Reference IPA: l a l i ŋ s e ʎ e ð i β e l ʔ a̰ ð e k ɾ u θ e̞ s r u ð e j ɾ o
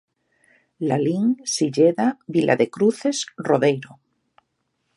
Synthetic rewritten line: l a l i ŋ s i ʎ e ð a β i l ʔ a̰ ð e k ɾ u θ e̞ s r o ð e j ɾ o